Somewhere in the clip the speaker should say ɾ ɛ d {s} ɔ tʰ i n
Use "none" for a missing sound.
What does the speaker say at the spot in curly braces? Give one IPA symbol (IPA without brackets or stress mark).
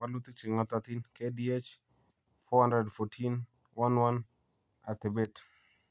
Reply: f